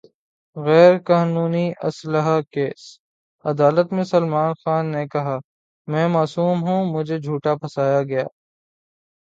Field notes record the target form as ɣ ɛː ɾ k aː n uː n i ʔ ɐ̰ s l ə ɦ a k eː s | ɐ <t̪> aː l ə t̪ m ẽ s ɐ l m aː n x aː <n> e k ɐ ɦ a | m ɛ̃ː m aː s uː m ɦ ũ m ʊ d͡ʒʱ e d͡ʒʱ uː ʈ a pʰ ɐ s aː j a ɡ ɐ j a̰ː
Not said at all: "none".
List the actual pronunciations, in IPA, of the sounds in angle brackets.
d̪, nː

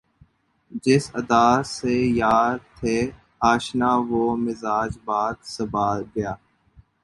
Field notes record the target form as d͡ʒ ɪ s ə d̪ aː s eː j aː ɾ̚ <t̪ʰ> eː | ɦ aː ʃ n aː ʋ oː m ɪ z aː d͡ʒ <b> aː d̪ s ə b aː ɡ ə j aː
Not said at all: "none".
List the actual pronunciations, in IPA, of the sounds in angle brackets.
t̪ʰ, b

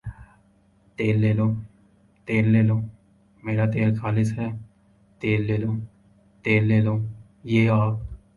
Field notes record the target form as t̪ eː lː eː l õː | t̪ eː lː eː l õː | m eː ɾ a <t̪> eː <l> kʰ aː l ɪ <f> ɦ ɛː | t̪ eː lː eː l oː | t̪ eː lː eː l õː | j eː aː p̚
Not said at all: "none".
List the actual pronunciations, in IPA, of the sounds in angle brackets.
t̪, l, s

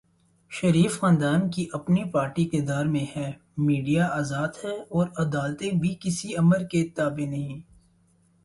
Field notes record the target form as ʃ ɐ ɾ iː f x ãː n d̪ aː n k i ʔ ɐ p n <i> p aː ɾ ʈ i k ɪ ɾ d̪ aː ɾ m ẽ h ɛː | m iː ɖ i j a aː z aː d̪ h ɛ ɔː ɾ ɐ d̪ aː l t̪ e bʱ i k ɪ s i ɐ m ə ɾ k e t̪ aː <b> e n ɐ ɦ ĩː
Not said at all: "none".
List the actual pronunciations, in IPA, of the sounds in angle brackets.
i, b

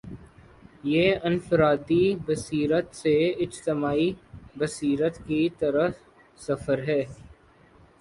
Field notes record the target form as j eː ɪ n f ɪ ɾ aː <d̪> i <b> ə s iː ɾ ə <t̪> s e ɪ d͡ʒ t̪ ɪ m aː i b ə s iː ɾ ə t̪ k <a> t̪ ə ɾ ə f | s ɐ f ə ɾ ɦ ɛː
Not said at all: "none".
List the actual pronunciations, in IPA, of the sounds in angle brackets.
d̪, b, t̪, i

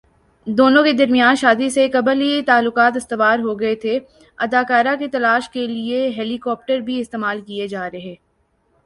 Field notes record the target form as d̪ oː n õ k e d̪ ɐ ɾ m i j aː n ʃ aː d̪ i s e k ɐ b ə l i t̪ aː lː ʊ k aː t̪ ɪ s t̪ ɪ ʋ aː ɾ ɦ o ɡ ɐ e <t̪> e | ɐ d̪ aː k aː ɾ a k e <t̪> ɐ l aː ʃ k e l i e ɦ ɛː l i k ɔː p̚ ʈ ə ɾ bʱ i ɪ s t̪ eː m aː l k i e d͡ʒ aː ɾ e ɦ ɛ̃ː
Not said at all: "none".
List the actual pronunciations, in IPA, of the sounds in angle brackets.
t̪ʰ, t̪

